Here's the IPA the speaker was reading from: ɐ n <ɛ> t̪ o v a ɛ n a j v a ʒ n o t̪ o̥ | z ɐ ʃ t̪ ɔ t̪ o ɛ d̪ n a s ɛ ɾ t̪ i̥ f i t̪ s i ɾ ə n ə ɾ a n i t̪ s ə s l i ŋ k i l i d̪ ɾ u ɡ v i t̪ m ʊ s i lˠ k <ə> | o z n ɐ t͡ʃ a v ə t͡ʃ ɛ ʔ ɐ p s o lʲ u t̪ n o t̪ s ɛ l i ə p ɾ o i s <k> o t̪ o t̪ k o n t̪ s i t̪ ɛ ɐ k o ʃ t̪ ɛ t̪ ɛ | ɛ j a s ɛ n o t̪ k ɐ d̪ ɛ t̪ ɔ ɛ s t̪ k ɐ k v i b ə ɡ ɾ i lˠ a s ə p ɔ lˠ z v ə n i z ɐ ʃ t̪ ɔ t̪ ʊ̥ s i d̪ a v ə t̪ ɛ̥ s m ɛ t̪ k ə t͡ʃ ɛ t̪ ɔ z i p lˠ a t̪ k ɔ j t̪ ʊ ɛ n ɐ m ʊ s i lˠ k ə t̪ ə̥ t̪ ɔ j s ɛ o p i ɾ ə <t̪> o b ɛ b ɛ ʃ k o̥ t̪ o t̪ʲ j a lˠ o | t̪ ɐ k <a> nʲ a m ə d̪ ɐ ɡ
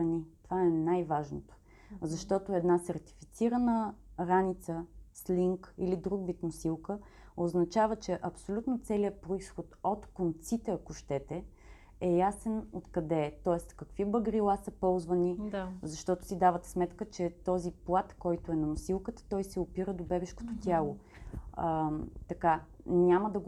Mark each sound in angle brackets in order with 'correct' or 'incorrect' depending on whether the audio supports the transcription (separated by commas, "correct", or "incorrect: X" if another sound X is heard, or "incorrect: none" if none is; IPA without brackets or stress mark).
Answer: incorrect: i, correct, incorrect: x, incorrect: d̪, correct